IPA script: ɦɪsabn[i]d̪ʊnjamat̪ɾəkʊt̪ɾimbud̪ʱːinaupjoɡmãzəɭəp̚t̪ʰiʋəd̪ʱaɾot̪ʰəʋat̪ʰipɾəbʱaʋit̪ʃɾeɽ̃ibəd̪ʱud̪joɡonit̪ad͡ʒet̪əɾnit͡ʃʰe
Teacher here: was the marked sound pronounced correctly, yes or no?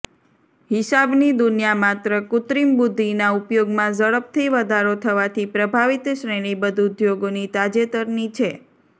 yes